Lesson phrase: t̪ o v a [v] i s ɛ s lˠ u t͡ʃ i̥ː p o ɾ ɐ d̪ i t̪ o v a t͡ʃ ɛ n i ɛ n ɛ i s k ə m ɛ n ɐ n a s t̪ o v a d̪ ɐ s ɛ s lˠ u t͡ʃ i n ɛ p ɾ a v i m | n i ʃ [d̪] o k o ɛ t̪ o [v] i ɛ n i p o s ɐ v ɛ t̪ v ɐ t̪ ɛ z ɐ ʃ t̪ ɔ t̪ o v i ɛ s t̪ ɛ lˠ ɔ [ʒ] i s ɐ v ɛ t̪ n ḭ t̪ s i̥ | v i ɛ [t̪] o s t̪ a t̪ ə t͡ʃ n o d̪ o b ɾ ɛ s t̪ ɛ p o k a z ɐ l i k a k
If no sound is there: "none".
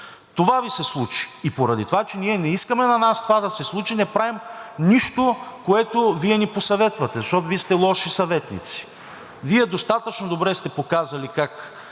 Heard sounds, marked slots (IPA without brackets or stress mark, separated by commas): v, t̪, v, ʃ, d̪